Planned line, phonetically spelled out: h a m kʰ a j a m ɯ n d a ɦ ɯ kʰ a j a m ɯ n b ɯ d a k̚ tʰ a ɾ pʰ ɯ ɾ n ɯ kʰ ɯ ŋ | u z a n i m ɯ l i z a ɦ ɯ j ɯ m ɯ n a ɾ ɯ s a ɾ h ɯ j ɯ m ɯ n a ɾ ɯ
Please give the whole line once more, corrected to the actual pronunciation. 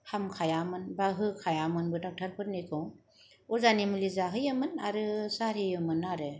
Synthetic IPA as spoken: h a m kʰ a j a m ɯ n b a ɦ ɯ kʰ a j a m ɯ n b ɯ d a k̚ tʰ a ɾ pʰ ɯ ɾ n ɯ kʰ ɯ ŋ | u z a n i m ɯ l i z a ɦ ɯ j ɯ m ɯ n a ɾ ɯ s a ɾ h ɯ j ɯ m ɯ n a ɾ ɯ